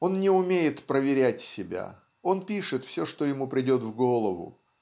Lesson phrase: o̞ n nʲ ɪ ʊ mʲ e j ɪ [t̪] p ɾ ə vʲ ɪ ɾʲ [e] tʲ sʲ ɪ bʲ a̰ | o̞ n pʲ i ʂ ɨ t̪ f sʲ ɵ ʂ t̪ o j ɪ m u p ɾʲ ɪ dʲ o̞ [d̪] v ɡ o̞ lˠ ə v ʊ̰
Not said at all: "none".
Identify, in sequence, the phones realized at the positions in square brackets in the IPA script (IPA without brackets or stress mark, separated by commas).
t̪, æ, t̪